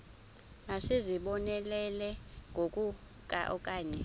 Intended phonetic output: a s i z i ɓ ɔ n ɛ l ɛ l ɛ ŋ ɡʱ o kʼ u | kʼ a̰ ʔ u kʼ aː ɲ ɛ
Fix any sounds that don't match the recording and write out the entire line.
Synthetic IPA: a s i z i ɓ ɔ n ɛ l ɛ l ɛ ŋ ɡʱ o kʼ u | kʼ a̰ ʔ ɔ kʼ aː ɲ ɛ